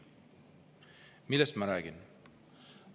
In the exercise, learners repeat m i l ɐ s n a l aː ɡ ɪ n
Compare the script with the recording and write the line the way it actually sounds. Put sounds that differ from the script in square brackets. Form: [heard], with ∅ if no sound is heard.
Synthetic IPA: m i l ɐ s [m] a [ɾ] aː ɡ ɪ n